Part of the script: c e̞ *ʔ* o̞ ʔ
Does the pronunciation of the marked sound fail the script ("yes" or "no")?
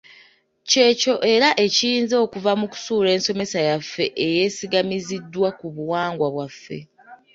yes